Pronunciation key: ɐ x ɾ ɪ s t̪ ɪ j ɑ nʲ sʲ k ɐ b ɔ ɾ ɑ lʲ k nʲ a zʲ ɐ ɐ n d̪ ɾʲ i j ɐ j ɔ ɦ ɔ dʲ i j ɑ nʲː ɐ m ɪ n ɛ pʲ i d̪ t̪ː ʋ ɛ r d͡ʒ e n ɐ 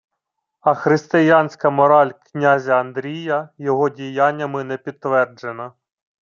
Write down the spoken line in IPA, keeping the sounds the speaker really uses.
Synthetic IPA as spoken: ɐ x ɾ ɪ s t̪ ɪ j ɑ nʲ sʲ k ɐ m ɔ ɾ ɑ lʲ k nʲ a zʲ ɐ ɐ n d̪ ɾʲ i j ɐ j ɔ ɦ ɔ dʲ i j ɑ nʲː ɐ m ɪ n ɛ pʲ i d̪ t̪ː ʋ ɛ r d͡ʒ e n ɐ